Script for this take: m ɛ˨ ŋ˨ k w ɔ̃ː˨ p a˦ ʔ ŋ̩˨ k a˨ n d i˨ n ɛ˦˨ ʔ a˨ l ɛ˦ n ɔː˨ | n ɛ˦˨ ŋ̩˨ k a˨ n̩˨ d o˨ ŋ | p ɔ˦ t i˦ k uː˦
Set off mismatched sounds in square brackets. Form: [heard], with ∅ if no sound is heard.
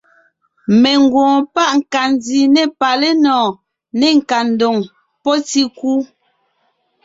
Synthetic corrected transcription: m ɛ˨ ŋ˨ [ɡ] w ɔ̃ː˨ p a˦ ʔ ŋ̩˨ k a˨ n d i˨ n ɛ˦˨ [p] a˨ l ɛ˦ n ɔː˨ | n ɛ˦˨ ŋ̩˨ k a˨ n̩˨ d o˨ ŋ | p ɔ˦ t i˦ k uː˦